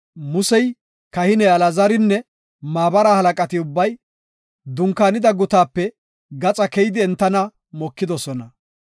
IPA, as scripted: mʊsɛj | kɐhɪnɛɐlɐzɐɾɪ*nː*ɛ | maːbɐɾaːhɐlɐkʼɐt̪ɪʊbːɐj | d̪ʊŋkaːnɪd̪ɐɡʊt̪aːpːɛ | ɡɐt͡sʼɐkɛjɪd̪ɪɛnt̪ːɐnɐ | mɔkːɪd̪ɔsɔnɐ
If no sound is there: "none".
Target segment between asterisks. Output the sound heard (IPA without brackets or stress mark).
nː